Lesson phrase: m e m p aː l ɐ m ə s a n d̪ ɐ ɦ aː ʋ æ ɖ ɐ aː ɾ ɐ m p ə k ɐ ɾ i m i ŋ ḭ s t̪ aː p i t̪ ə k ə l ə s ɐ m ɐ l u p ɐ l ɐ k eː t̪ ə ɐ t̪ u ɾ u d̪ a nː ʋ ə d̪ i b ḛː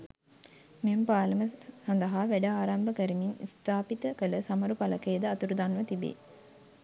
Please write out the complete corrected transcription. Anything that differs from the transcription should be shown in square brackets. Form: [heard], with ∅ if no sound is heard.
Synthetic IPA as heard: m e m p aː l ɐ m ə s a n d̪ ɐ ɦ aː ʋ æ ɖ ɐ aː ɾ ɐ m [b] ə k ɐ ɾ i m i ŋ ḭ s t̪ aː p i t̪ ə k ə l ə s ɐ m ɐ [ɾ] u p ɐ l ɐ k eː [d̪] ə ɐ t̪ u ɾ u d̪ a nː ʋ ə [t̪] i b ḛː